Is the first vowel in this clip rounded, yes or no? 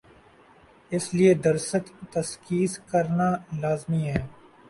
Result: no